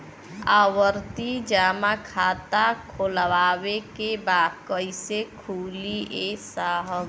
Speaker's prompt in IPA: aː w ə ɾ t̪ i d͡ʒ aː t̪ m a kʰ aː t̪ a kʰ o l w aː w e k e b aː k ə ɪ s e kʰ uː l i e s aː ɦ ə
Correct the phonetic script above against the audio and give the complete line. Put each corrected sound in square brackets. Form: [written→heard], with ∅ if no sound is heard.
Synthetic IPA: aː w ə ɾ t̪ i d͡ʒ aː [t̪→∅] m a kʰ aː t̪ a kʰ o l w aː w e k e b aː k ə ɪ s e kʰ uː l i e s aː ɦ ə